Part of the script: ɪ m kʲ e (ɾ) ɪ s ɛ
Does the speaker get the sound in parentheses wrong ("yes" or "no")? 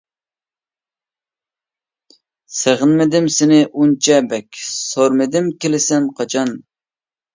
yes